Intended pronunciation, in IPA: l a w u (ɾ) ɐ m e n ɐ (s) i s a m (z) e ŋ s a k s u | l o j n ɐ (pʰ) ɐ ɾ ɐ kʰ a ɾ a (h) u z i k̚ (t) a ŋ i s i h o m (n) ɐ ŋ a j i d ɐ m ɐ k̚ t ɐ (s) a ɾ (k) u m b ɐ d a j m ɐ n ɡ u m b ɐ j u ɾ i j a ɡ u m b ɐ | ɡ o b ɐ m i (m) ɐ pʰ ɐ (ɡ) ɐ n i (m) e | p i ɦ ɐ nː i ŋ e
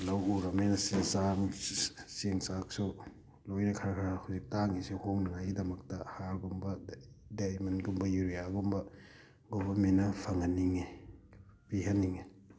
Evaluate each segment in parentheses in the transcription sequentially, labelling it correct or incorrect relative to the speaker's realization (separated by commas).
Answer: correct, correct, incorrect, incorrect, correct, correct, correct, incorrect, incorrect, incorrect, incorrect, incorrect